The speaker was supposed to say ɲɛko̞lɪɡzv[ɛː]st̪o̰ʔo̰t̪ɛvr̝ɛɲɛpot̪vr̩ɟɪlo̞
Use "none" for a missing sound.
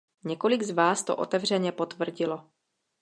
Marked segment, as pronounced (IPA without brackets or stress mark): aː